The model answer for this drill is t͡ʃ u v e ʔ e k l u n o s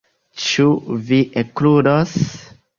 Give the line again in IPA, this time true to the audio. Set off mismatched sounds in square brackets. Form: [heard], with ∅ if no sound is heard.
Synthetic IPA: t͡ʃ u v [i] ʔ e k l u [d] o s